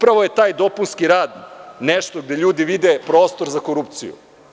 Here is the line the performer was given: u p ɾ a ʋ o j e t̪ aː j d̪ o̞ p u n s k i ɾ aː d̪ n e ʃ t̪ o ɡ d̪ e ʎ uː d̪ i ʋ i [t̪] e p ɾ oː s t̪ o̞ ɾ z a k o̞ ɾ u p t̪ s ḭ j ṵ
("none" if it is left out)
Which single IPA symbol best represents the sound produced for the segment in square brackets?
d̪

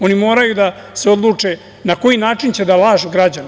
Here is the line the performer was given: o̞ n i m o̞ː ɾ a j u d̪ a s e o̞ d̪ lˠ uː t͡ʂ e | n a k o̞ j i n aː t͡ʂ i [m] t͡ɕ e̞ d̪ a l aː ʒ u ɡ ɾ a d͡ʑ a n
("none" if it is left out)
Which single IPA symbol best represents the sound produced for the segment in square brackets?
n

